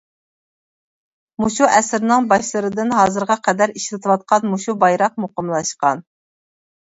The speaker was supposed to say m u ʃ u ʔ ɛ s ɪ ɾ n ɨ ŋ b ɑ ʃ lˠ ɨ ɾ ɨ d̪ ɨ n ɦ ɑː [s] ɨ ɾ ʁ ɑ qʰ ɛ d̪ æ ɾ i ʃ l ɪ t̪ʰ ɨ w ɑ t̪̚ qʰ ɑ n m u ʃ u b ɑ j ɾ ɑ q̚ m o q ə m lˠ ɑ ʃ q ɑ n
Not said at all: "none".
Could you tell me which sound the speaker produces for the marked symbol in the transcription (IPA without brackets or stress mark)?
z